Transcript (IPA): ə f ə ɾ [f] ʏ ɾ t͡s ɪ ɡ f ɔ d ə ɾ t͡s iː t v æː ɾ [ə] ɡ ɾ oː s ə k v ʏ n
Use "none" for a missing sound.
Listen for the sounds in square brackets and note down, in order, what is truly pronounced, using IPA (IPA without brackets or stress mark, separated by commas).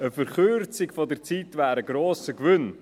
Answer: χ, ə